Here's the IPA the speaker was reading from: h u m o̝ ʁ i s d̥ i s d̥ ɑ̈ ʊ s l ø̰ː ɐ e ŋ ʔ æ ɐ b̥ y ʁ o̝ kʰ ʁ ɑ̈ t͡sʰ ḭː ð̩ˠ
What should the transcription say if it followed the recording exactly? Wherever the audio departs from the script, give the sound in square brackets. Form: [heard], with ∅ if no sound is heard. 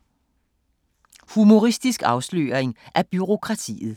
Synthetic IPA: h u m o̝ ʁ i s d̥ i s [ɡ̥] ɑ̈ ʊ s l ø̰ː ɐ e ŋ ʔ æ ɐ b̥ y ʁ o̝ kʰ ʁ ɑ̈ t͡sʰ ḭː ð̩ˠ